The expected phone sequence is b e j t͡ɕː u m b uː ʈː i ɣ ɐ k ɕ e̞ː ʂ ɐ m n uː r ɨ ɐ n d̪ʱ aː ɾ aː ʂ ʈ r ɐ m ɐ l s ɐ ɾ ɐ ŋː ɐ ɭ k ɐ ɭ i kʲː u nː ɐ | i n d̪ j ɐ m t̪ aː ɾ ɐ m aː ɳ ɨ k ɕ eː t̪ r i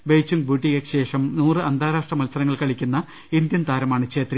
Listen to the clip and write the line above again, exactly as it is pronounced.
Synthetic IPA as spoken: b e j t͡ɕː u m b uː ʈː i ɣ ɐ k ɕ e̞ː ʂ ɐ m n uː r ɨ ɐ n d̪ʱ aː ɾ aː ʂ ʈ r ɐ m ɐ l s ɐ ɾ ɐ ŋː ɐ ɭ k ɐ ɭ i kʲː u nː ɐ | i n d̪ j ɐ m t̪ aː ɾ ɐ m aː ɳ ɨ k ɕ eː t̪ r i